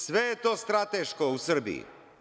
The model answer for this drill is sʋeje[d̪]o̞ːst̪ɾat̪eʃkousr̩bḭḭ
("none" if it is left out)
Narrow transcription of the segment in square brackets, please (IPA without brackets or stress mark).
t̪